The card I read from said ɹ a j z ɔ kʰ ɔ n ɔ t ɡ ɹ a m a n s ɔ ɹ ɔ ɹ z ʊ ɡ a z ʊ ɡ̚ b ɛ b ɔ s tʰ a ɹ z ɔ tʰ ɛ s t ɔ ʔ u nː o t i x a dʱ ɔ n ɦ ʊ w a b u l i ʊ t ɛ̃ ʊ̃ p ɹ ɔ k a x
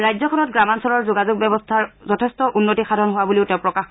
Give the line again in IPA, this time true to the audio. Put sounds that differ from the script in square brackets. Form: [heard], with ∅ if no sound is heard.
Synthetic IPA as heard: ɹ a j z ɔ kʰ ɔ n ɔ t ɡ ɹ a m a n s ɔ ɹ ɔ ɹ z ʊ ɡ a z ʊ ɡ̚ b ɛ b ɔ s tʰ a ɹ z ɔ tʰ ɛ s t ɔ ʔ u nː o t i x a dʱ ɔ n ɦ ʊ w a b u l i ʊ t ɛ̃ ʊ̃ p ɹ ɔ k a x